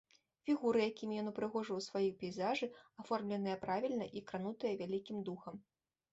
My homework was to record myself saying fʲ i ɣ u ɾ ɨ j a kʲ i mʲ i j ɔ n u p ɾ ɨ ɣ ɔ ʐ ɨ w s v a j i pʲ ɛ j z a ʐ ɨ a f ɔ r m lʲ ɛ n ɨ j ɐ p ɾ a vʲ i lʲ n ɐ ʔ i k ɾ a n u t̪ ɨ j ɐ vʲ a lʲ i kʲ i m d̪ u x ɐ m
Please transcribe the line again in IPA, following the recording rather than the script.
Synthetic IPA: fʲ i ɣ u ɾ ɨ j a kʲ i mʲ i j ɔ n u p ɾ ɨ ɣ ɔ ʐ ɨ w s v a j i pʲ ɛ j z a ʐ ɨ a f ɔ r m lʲ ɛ n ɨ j ɐ p ɾ a vʲ i lʲ n ɐ ʔ i k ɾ a n u t̪ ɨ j ɐ vʲ a lʲ i kʲ i m d̪ u x ɐ m